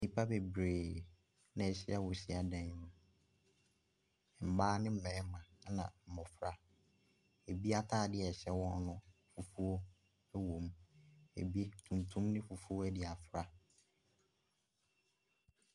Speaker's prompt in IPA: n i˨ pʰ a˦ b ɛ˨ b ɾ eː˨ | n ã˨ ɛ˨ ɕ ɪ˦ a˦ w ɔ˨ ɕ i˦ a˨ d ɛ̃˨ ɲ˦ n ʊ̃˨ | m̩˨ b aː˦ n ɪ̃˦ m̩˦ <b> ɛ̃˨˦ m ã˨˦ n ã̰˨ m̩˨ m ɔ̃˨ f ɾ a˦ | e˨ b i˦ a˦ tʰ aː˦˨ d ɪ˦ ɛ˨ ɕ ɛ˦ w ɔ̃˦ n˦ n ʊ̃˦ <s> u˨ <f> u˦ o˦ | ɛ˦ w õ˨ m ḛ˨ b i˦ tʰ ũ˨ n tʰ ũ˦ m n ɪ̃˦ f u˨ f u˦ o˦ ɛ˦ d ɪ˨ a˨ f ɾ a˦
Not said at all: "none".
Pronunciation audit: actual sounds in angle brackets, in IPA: m, f, f

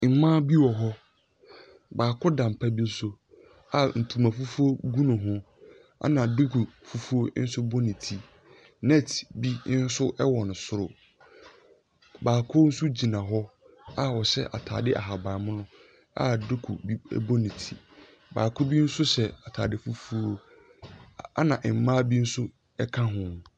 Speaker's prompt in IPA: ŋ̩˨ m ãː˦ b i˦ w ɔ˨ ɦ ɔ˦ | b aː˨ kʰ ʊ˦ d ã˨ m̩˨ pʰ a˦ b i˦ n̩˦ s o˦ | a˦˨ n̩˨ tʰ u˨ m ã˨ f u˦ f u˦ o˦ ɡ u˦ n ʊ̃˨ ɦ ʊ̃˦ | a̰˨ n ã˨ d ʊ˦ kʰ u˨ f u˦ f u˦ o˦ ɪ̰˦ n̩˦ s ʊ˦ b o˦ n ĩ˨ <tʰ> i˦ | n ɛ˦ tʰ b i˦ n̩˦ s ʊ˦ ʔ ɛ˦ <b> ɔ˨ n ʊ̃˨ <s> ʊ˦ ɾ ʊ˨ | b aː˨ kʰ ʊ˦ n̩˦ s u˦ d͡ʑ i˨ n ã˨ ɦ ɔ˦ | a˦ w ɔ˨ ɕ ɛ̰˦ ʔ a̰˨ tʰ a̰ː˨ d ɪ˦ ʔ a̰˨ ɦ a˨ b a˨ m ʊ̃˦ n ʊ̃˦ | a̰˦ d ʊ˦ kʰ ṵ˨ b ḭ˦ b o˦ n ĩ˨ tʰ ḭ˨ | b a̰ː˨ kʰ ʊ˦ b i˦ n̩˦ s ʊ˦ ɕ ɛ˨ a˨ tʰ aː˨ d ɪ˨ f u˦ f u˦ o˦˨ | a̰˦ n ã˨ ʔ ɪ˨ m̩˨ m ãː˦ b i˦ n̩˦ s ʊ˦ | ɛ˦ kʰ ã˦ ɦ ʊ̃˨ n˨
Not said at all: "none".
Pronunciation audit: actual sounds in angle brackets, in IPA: tʰ, w, s

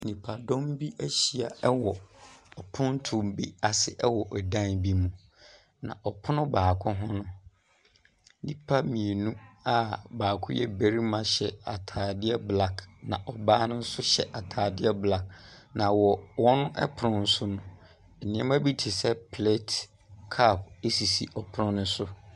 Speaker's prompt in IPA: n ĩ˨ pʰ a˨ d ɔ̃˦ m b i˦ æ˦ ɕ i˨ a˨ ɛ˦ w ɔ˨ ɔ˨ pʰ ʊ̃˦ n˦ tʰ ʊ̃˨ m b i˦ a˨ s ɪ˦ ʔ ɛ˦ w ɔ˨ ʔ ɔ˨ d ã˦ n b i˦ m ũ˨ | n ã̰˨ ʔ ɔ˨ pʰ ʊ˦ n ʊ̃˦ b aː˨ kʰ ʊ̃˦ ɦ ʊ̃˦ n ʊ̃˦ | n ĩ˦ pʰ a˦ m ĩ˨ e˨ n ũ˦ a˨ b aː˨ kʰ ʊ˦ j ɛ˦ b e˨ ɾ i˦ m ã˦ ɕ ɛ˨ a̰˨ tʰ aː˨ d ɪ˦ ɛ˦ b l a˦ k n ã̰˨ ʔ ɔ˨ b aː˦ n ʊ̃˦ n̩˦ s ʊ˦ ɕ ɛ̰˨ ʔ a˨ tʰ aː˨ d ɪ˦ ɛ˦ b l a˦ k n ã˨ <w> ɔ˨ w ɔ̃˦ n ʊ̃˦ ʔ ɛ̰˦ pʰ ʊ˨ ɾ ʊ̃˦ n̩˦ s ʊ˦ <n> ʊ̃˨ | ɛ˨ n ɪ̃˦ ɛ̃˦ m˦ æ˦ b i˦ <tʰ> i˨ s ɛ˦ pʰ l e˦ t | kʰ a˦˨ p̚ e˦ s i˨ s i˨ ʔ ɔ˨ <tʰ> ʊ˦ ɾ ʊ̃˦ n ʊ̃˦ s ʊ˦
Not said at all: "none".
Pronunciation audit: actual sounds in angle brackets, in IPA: w, n, tʰ, pʰ

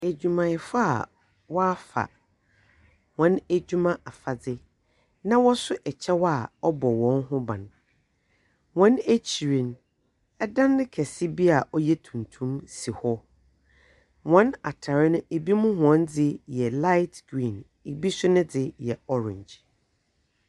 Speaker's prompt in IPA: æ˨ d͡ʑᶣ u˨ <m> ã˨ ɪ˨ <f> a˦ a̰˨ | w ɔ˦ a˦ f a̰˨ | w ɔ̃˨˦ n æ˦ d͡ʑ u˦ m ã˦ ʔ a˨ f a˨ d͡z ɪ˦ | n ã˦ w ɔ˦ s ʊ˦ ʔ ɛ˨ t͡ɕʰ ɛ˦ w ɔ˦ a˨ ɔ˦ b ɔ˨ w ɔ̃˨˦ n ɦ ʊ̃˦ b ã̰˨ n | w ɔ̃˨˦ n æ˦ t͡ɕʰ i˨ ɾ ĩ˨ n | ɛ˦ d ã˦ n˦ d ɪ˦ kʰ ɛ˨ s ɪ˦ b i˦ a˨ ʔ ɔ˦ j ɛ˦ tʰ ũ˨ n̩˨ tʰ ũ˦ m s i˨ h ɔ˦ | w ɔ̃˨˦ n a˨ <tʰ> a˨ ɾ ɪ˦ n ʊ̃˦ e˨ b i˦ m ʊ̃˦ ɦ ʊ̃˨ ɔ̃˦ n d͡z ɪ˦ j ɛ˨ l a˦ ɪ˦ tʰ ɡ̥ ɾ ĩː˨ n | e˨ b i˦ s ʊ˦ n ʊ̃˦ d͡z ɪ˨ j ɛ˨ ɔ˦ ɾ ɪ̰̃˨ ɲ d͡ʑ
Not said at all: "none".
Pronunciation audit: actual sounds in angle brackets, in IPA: m, f, tʰ

